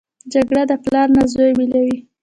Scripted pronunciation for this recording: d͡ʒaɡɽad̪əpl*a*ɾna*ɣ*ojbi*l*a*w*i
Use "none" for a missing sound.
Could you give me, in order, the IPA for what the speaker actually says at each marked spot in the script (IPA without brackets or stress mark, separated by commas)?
ɑ, z, l, w